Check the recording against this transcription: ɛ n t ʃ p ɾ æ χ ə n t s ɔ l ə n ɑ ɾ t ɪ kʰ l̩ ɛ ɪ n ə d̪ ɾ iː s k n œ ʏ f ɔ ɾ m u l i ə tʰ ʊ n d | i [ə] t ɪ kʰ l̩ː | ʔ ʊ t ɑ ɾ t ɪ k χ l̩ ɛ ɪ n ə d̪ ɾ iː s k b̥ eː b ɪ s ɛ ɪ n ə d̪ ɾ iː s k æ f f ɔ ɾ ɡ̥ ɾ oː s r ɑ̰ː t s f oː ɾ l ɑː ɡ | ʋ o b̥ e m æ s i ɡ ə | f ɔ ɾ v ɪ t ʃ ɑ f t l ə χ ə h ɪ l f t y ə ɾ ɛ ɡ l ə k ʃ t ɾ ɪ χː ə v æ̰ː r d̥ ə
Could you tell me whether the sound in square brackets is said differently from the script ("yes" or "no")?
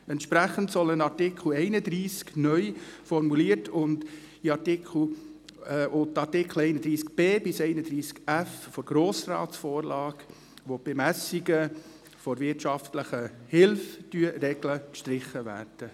yes